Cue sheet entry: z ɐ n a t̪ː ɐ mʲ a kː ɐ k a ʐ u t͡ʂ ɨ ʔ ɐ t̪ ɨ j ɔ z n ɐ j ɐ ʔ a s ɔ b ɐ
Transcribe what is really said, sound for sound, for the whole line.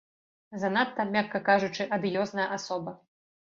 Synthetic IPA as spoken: z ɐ n a t̪ː ɐ mʲ a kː ɐ k a ʐ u t͡ʂ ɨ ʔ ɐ d̪ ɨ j ɔ z n ɐ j ɐ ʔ a s ɔ b ɐ